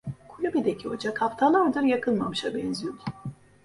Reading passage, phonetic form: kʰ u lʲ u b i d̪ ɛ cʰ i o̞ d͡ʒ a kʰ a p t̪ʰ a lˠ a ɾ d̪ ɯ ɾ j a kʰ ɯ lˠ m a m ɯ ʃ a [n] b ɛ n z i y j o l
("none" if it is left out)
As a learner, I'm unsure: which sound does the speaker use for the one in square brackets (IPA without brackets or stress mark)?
none